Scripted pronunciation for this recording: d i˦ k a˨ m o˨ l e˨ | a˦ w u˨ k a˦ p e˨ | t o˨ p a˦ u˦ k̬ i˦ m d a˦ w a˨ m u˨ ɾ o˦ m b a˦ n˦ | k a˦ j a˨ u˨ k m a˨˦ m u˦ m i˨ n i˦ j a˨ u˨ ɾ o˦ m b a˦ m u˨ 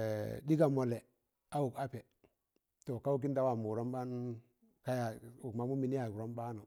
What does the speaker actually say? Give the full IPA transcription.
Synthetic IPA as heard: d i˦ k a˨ m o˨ l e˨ | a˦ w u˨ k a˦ p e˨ | t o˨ k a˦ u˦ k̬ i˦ n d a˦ w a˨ m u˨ ɾ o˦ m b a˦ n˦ | k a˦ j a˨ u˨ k m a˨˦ m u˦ m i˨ n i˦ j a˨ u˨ ɾ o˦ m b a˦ n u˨